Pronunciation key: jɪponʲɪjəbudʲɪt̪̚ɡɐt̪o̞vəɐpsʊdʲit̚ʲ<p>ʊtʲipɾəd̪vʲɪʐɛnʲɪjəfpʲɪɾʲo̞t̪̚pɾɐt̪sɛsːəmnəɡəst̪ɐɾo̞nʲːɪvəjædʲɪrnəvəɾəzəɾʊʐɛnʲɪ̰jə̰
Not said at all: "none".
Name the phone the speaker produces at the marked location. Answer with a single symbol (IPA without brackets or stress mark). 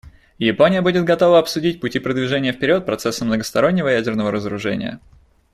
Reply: p